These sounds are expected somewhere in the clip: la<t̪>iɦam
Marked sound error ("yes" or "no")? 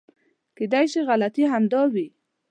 no